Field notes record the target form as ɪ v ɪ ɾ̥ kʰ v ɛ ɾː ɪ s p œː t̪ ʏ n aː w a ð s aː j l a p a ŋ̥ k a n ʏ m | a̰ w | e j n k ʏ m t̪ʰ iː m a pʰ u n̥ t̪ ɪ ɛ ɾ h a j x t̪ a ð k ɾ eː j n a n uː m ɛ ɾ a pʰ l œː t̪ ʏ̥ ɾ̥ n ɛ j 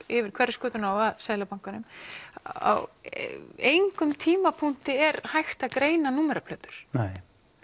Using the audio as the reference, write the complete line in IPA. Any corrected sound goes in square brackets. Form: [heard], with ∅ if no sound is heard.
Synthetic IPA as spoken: ɪ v ɪ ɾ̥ kʰ v ɛ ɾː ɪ s [k] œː t̪ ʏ n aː w a ð s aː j l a p a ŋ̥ k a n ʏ m | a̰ w | e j [ŋ] k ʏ m t̪ʰ iː m a pʰ u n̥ t̪ ɪ ɛ ɾ h a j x t̪ a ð k ɾ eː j n a n uː m ɛ ɾ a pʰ l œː t̪ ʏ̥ ɾ̥ n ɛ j